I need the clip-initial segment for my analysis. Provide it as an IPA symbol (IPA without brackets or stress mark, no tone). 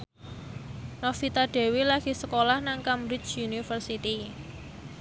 n